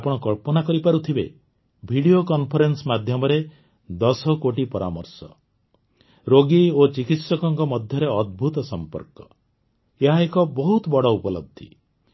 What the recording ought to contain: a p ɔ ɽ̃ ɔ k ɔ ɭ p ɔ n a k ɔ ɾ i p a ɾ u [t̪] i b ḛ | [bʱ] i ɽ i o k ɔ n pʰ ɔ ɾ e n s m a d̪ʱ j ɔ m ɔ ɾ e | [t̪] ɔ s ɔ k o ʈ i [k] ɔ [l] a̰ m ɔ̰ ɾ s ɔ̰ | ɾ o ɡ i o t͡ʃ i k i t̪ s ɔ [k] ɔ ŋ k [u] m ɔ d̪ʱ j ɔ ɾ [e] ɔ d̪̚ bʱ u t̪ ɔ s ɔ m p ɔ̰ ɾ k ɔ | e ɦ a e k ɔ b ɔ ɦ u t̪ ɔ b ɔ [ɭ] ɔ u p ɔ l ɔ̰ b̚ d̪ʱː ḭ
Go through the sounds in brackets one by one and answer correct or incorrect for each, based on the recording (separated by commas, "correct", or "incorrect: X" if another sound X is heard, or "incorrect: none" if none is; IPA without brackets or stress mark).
incorrect: t̪ʰ, correct, incorrect: d̪, incorrect: p, incorrect: ɾ, correct, incorrect: ɔ, correct, incorrect: ɽ